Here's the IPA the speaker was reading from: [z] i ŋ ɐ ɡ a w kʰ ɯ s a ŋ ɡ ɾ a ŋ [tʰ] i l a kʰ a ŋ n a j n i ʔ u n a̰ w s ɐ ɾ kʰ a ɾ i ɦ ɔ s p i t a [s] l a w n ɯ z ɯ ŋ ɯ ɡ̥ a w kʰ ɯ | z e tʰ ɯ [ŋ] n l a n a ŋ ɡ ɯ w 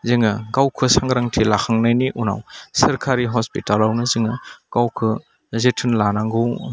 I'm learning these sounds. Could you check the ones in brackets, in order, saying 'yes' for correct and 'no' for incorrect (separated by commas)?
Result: yes, yes, no, no